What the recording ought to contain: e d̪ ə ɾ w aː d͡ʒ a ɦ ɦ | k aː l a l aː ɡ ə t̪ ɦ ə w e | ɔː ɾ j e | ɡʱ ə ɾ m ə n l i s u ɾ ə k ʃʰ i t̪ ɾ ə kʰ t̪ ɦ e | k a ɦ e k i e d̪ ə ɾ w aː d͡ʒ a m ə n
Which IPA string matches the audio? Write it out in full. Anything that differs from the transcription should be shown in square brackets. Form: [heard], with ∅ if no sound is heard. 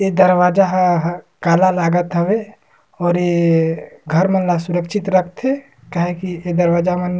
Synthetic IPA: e d̪ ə ɾ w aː d͡ʒ a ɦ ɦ | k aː l a l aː ɡ ə t̪ ɦ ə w e | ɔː ɾ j e | ɡʱ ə ɾ m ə n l [a] s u ɾ ə k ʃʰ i t̪ ɾ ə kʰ t̪ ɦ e | k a ɦ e k i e d̪ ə ɾ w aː d͡ʒ a m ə n